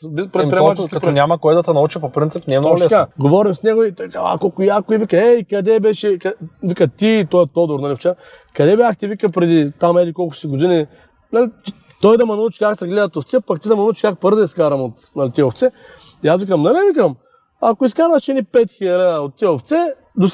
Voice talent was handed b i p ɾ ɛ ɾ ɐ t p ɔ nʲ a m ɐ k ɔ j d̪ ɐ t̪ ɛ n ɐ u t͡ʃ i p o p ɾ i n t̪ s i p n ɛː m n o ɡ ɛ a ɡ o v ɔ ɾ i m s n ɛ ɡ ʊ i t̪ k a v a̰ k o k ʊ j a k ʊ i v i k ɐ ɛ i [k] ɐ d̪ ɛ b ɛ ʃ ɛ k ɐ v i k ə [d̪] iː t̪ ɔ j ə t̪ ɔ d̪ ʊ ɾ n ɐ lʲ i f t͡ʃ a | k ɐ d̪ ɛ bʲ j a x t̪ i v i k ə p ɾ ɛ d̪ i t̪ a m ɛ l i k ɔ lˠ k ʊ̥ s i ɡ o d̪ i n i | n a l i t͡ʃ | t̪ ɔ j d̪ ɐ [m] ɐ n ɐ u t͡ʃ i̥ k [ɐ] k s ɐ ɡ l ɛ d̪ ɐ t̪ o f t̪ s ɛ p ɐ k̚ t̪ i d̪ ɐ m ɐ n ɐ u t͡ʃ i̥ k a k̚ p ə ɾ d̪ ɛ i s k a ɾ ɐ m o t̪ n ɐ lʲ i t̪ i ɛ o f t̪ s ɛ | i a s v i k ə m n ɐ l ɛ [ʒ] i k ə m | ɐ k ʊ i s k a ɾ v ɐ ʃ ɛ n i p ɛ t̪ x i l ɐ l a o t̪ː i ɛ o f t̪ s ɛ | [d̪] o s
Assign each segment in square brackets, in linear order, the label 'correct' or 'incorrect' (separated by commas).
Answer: correct, incorrect, correct, incorrect, incorrect, correct